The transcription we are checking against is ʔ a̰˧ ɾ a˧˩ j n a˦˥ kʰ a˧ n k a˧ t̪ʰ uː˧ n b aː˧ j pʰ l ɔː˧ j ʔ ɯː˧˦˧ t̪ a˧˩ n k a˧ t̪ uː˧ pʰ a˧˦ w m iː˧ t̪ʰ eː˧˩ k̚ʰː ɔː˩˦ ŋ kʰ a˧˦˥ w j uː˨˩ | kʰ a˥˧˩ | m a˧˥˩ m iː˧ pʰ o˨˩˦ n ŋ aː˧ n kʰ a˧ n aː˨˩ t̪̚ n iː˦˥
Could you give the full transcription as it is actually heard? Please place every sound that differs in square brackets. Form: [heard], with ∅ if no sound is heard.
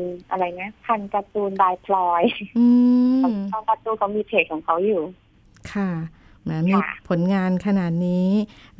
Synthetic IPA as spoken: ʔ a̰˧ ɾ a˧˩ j n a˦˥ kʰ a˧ n k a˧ [t̪] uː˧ n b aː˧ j pʰ l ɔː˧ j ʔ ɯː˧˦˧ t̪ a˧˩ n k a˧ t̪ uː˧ [kʰ] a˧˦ w m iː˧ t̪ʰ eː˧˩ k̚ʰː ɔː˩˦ ŋ kʰ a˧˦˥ w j uː˨˩ | kʰ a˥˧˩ | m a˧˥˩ m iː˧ pʰ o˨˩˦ n ŋ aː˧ n kʰ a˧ n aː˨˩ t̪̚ n iː˦˥